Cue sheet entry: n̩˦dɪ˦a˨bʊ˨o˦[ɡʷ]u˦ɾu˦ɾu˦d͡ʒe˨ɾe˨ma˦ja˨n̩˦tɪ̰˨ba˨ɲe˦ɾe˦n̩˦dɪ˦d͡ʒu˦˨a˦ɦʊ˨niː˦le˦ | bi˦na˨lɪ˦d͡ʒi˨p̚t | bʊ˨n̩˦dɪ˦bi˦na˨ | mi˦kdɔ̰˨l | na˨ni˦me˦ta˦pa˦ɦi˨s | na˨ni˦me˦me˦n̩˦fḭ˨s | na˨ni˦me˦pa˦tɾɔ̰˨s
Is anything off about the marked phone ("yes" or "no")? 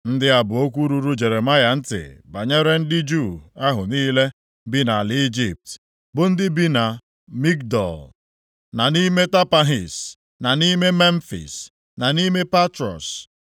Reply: yes